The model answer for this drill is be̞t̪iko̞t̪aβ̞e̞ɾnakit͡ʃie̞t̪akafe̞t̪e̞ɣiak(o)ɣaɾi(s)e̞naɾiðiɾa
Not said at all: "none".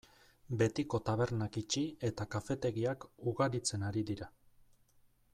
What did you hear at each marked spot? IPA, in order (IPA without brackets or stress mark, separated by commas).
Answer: u, t͡s